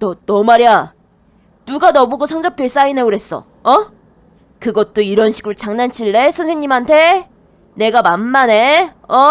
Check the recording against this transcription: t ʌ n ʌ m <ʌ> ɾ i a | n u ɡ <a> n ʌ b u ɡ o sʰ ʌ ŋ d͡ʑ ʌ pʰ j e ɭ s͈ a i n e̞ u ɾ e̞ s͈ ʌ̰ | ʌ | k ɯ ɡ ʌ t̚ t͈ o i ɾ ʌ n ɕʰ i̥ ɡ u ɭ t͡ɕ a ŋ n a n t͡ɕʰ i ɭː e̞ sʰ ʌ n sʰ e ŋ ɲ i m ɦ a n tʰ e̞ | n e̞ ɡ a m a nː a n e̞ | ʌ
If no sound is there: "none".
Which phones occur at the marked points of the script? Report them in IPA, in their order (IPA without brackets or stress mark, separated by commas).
a, a